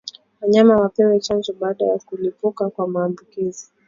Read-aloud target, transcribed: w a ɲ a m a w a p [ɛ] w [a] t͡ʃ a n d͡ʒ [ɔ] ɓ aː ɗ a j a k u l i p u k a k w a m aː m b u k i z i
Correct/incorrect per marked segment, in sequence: correct, incorrect: ɛ, correct

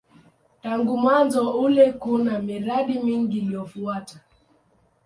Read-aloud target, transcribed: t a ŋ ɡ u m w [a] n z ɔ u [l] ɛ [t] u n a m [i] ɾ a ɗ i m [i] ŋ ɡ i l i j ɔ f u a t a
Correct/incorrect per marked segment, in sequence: correct, correct, incorrect: k, correct, correct

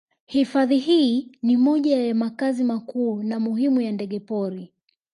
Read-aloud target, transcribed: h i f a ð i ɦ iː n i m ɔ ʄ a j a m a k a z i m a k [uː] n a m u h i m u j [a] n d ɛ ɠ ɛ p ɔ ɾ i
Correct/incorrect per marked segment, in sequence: correct, correct

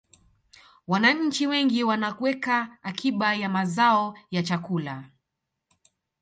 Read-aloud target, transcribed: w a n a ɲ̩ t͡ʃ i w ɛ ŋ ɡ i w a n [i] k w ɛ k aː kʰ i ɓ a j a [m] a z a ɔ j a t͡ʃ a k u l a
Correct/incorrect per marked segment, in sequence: incorrect: a, correct

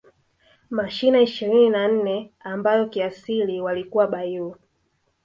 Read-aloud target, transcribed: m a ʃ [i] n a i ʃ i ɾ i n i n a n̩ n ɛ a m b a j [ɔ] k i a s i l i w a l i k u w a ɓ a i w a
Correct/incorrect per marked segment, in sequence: correct, correct

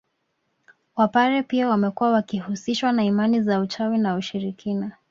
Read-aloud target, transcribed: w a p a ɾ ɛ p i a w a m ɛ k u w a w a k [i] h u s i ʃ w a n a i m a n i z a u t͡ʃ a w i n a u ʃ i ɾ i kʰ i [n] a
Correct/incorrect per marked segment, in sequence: correct, correct

